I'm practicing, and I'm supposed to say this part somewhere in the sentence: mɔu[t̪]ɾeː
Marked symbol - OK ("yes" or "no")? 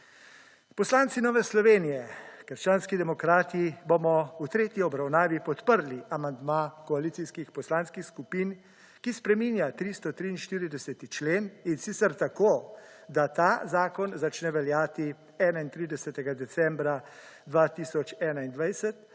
yes